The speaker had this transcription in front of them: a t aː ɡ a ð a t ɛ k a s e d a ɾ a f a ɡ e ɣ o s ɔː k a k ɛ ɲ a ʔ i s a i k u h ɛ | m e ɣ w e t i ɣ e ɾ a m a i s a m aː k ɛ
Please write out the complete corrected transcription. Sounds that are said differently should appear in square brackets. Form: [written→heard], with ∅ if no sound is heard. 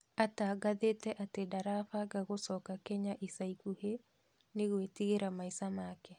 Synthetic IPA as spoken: a t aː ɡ a ð [a→e] t ɛ [k→ʔ] a [s→t] e d a ɾ a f a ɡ [e→a] ɣ o s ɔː k a k ɛ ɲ a ʔ i s a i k u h [ɛ→e] | [m→n] e ɣ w e t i ɣ e ɾ a m a i s a m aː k ɛ